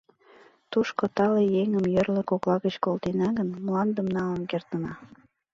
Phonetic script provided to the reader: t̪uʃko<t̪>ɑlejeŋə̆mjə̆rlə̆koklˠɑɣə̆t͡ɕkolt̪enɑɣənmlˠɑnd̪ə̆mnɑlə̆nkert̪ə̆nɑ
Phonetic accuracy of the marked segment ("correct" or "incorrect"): correct